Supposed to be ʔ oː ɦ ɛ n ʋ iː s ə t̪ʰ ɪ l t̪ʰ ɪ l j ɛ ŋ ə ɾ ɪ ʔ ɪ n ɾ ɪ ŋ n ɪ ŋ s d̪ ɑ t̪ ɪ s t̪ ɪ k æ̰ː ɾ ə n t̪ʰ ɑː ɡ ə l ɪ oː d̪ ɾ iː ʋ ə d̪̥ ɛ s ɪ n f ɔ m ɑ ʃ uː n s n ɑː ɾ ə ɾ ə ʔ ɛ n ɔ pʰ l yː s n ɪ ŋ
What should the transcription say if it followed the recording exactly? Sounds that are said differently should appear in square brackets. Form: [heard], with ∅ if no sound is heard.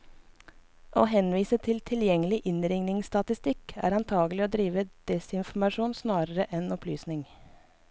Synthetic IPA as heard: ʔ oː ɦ ɛ n ʋ iː s ə t̪ʰ ɪ l t̪ʰ ɪ l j ɛ ŋ ə [l] ɪ ʔ ɪ n ɾ ɪ ŋ n ɪ ŋ s [t̪] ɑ t̪ ɪ s t̪ ɪ k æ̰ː ɾ [ɑ] n t̪ʰ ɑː ɡ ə l ɪ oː d̪ ɾ iː ʋ ə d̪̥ ɛ s ɪ n f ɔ m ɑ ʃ uː n s n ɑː ɾ ə ɾ ə ʔ ɛ n ɔ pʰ l yː s n ɪ ŋ

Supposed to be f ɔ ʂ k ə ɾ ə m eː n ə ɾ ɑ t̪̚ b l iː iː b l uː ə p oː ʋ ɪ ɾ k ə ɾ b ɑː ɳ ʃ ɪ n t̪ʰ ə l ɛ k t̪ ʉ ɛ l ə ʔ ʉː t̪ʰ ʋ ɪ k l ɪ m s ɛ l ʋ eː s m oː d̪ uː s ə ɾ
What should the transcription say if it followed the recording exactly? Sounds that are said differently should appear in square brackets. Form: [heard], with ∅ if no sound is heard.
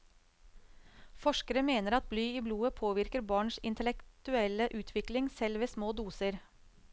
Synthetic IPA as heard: f ɔ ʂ k ə ɾ ə m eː n ə ɾ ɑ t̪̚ b l [yː] iː b l uː ə [pʰ] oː ʋ ɪ ɾ k ə ɾ b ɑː ɳ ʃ ɪ n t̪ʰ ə l ɛ k t̪ ʉ ɛ l ə ʔ ʉː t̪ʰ ʋ ɪ k l ɪ [ŋ] s ɛ l ʋ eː s m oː d̪ uː s ə ɾ

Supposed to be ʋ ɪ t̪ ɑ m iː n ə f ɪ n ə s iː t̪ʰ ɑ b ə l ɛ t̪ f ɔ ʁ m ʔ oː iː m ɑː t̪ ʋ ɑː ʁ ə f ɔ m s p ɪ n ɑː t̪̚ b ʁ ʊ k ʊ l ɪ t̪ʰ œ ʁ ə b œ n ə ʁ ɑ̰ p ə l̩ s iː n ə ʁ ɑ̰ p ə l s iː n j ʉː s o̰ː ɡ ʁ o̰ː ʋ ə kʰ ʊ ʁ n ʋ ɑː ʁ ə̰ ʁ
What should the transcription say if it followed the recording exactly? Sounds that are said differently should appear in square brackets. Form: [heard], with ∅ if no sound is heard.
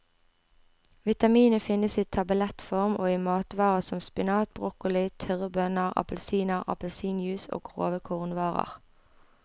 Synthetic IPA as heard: ʋ ɪ t̪ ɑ m iː n ə f ɪ n ə s iː t̪ʰ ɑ b ə l ɛ t̪ f ɔ ʁ m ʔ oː iː m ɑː t̪ ʋ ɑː ʁ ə [s] ɔ m s p ɪ n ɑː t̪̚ b ʁ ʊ k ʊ l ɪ t̪ʰ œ ʁ ə b œ n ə ʁ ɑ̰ p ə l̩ s iː n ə ʁ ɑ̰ p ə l s iː n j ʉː s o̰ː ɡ ʁ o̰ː ʋ ə kʰ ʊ ʁ n ʋ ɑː ʁ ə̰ ʁ

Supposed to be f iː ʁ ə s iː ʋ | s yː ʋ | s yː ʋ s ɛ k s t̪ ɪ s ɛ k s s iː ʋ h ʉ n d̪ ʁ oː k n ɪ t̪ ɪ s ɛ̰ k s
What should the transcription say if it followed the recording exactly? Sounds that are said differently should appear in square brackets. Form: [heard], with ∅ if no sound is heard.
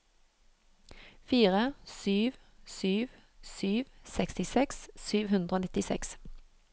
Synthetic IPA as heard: f iː ʁ ə s [yː] ʋ | s yː ʋ | s yː ʋ s ɛ k s t̪ ɪ s ɛ k s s [yː] ʋ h ʉ n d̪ ʁ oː [∅] n ɪ t̪ ɪ s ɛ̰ k s

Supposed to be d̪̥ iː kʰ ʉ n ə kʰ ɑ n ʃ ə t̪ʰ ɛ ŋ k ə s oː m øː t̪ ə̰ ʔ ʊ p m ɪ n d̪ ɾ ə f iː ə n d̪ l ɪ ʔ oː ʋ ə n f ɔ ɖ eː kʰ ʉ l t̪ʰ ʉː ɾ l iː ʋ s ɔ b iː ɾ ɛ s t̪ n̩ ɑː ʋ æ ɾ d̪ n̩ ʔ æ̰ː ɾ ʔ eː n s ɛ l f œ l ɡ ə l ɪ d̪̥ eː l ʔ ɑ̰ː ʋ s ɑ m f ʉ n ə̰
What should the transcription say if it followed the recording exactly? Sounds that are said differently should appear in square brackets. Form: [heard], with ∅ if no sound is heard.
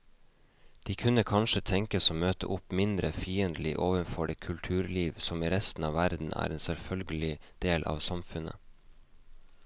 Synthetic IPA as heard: d̪̥ iː kʰ ʉ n ə kʰ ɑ n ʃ ə t̪ʰ ɛ ŋ k ə s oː m øː t̪ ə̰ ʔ ʊ p m ɪ n d̪ ɾ ə f iː ə n d̪ l ɪ ʔ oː ʋ ə n f ɔ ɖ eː kʰ ʉ l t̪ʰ ʉː ɾ l iː ʋ s ɔ [m] iː ɾ ɛ s t̪ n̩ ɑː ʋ æ ɾ d̪ n̩ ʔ æ̰ː ɾ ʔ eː n s ɛ l f œ l ɡ ə l ɪ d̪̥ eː l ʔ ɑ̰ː ʋ s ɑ m f ʉ n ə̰

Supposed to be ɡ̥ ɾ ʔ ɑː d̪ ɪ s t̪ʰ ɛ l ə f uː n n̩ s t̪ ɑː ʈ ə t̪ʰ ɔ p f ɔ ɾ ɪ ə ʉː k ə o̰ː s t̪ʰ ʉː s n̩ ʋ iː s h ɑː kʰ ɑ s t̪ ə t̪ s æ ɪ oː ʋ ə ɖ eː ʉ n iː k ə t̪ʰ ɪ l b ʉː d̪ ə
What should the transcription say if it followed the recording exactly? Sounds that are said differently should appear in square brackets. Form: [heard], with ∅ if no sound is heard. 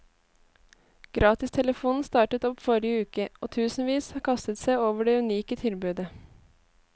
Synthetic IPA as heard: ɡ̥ ɾ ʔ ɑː [t̪] ɪ s t̪ʰ ɛ l ə f uː n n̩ s t̪ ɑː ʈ ə [t̪] ɔ p f ɔ ɾ ɪ ə ʉː k ə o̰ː [∅] t̪ʰ ʉː s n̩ ʋ iː s h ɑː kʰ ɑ s t̪ ə t̪ s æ ɪ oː ʋ ə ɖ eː ʉ n iː k ə t̪ʰ ɪ l b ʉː d̪ ə

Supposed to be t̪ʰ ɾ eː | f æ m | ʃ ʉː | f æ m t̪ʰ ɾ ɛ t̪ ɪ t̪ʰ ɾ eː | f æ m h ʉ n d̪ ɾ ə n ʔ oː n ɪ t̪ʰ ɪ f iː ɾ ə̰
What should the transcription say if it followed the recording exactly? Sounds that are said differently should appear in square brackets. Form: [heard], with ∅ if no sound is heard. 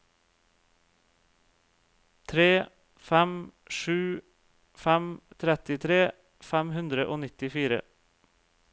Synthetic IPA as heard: t̪ʰ ɾ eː | f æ m | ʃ ʉː | f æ m t̪ʰ ɾ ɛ t̪ ɪ t̪ʰ ɾ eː | f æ m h ʉ n d̪ ɾ ə [∅] ʔ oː n ɪ [t̪] ɪ f iː ɾ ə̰

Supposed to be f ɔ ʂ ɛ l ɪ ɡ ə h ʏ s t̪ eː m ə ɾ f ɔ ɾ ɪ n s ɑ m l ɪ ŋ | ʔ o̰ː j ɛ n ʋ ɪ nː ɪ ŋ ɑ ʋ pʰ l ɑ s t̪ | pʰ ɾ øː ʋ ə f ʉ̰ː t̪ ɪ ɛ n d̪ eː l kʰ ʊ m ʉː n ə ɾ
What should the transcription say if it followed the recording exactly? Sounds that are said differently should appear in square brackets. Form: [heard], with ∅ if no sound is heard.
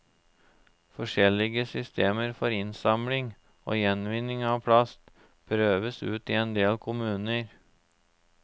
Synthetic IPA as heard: f ɔ ʂ ɛ l ɪ ɡ ə [s] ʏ s t̪ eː m ə ɾ f ɔ ɾ ɪ n s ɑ m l ɪ ŋ | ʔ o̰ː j ɛ n ʋ ɪ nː ɪ ŋ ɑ ʋ pʰ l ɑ s t̪ | pʰ ɾ øː ʋ ə [s] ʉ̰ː t̪ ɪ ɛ n d̪ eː l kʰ ʊ m ʉː n ə ɾ

